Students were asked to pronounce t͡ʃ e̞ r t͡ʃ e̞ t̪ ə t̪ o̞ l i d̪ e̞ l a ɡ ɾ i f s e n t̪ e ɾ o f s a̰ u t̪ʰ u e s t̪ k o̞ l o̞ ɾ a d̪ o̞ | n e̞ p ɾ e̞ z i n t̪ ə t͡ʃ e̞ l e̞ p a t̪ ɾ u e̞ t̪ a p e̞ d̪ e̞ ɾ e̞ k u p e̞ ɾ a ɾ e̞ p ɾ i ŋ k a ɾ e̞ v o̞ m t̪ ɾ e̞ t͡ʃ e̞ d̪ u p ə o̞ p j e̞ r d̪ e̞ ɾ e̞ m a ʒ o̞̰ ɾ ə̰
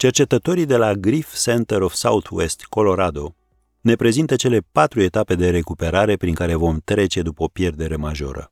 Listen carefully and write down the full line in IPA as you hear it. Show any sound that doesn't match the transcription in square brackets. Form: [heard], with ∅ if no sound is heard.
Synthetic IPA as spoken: t͡ʃ e̞ r t͡ʃ e̞ t̪ ə t̪ o̞ [ɾ] i d̪ e̞ l a ɡ ɾ i f s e n t̪ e ɾ o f s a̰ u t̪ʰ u e s t̪ k o̞ l o̞ ɾ a d̪ o̞ | n e̞ p ɾ e̞ z i n t̪ ə t͡ʃ e̞ l e̞ p a t̪ ɾ u e̞ t̪ a p e̞ d̪ e̞ ɾ e̞ k u p e̞ ɾ a ɾ e̞ p ɾ i ŋ k a ɾ e̞ v o̞ m t̪ ɾ e̞ t͡ʃ e̞ d̪ u p ə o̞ p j e̞ r d̪ e̞ ɾ e̞ m a ʒ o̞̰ ɾ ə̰